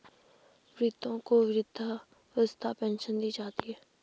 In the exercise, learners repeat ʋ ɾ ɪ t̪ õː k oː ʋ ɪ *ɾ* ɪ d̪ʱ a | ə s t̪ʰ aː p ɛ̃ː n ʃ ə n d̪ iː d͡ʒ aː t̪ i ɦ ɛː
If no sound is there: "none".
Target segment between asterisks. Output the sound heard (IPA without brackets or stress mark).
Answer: ɾ